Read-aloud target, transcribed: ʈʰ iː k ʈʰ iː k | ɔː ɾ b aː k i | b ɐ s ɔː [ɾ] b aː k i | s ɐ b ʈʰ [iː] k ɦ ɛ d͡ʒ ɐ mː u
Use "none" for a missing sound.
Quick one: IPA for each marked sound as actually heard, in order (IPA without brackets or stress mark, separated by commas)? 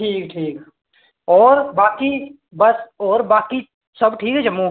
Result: ɾ, iː